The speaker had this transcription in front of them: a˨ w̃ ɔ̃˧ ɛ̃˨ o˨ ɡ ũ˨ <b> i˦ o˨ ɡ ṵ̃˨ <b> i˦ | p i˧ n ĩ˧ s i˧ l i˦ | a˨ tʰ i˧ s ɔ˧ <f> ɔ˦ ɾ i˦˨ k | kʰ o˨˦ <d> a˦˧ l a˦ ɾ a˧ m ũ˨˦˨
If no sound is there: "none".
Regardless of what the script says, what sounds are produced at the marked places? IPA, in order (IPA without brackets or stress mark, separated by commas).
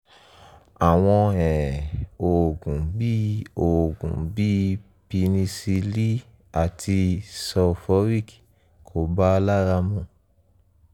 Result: b, b, f, b